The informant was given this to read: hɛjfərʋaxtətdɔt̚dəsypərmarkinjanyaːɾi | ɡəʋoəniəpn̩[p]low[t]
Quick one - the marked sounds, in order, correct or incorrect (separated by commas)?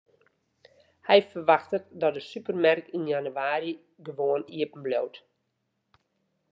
incorrect, correct